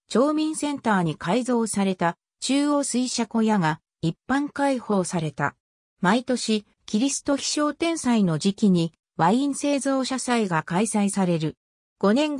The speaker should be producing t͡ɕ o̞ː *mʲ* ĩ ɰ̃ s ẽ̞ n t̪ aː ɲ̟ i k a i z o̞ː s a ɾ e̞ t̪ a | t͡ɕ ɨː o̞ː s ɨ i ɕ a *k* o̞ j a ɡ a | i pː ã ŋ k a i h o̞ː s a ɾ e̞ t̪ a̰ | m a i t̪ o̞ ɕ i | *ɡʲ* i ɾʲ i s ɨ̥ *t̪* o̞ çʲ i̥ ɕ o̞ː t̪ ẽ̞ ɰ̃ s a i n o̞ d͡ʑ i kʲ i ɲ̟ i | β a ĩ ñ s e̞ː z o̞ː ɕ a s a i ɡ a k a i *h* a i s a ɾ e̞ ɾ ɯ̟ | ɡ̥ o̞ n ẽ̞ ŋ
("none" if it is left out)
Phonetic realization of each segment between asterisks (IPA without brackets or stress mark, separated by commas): mʲ, k, kʲ, t̪, s